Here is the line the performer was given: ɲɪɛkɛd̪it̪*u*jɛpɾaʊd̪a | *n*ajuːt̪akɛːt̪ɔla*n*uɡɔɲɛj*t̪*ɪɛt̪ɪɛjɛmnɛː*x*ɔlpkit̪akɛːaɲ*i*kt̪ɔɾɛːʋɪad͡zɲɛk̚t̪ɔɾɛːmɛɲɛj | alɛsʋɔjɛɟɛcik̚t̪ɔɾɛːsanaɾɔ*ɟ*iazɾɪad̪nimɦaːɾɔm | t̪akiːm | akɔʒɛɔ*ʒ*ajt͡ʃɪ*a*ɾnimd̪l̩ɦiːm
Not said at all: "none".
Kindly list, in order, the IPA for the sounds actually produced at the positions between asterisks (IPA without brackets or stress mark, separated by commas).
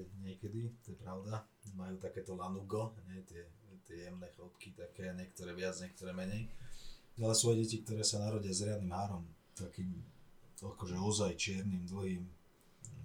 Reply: ɔ, m, n, t̪, x, ɛ, ɟ, z, ɛ